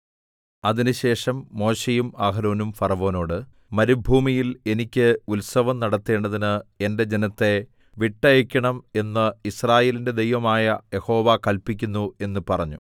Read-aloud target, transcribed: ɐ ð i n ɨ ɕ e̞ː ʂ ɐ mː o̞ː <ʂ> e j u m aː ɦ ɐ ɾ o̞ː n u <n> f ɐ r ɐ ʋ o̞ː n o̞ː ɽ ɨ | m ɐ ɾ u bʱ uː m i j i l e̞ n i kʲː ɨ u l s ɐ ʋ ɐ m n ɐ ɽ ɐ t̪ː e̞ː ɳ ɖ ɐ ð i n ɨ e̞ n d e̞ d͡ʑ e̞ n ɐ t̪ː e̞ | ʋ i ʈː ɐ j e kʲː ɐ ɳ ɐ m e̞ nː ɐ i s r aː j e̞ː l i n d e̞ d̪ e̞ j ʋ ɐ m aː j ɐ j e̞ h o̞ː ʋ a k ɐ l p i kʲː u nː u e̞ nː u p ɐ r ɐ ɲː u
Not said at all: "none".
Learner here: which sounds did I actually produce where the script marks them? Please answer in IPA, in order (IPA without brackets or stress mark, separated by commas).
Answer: ɕ, m